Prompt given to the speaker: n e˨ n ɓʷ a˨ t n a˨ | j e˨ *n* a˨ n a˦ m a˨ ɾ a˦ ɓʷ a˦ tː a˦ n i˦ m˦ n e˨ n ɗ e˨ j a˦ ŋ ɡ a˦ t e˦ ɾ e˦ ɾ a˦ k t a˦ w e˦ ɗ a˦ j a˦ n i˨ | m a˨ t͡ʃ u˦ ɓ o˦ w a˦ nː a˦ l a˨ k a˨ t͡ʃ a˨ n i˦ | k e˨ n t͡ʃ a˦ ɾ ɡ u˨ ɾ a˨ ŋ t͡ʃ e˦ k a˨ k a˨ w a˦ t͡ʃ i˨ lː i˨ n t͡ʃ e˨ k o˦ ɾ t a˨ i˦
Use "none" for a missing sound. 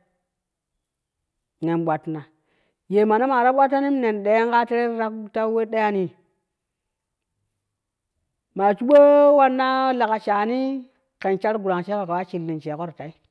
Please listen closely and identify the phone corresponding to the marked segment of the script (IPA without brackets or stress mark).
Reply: m